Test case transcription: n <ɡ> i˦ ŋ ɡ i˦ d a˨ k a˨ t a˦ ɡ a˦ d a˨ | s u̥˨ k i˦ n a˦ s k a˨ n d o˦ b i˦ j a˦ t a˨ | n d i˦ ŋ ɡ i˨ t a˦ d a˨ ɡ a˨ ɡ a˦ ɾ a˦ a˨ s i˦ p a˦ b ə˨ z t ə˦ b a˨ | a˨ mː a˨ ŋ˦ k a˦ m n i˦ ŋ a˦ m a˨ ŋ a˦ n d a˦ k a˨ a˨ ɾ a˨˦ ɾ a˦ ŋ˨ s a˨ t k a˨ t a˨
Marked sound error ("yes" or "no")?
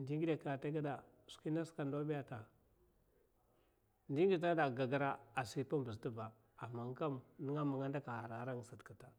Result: yes